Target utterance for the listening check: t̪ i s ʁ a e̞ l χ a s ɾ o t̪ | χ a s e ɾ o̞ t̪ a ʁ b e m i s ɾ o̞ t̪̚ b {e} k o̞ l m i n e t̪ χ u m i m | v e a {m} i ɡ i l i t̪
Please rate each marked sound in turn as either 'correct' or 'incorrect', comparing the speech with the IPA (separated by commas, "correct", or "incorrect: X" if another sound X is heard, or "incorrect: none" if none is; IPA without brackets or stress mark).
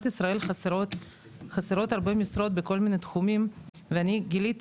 correct, incorrect: n